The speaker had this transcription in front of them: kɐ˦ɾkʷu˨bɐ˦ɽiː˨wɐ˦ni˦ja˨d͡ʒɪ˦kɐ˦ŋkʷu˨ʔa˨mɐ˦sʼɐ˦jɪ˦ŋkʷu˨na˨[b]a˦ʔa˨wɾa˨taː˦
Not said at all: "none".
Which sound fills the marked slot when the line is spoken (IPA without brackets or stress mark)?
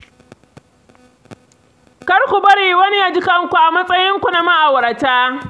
m